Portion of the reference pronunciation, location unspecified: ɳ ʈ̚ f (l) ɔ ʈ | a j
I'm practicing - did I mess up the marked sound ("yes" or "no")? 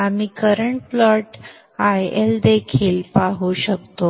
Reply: no